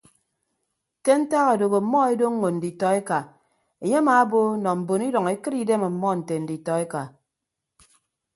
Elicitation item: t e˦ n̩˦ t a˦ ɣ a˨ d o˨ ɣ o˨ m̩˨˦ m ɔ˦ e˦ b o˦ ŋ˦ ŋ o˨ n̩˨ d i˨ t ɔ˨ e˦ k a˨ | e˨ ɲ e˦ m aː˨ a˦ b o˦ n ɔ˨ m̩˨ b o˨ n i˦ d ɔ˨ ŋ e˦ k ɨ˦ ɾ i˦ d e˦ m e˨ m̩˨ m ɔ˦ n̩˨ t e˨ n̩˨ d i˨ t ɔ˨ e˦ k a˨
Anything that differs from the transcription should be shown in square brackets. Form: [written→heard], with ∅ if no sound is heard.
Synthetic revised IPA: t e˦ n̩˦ t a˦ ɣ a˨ d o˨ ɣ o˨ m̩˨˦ m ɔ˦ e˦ [b→d] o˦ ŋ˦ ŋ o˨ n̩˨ d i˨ t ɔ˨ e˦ k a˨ | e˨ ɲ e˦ m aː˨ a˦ b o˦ n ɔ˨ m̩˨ b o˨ n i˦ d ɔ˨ ŋ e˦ k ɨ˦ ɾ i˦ d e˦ m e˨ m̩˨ m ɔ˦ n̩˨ t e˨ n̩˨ d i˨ t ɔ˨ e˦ k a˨